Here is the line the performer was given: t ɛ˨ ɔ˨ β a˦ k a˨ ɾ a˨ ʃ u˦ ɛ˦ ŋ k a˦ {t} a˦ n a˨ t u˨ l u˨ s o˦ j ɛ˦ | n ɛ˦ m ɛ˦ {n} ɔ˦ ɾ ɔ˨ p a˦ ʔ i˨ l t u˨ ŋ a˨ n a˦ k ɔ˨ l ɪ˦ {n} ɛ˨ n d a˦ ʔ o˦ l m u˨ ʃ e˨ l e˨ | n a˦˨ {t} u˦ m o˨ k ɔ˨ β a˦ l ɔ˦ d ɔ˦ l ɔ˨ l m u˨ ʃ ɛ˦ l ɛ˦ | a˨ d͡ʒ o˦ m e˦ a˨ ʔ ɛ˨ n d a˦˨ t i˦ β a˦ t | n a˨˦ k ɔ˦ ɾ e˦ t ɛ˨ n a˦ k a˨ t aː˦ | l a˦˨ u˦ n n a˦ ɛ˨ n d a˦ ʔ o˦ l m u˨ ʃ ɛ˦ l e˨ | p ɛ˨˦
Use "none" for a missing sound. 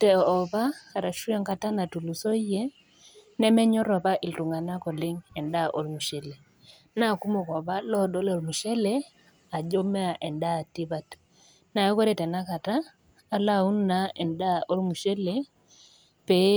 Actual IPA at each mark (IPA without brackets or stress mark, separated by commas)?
t, ɲ, ŋ, k